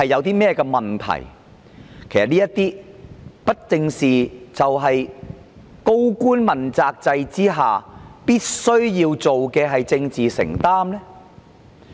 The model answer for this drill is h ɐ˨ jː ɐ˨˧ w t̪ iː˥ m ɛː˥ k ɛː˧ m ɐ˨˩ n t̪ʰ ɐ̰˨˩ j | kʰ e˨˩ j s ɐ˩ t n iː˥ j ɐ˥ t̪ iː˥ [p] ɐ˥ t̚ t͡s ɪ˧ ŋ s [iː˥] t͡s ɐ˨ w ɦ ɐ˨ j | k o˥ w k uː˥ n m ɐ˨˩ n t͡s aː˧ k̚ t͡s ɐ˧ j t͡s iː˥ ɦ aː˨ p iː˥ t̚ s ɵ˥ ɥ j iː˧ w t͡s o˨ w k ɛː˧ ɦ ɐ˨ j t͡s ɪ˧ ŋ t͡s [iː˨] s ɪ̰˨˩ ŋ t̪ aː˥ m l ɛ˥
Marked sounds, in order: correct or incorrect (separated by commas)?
correct, incorrect, correct